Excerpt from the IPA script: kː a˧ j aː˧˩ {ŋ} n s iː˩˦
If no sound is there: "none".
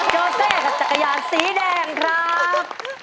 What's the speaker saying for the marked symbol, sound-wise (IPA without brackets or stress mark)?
none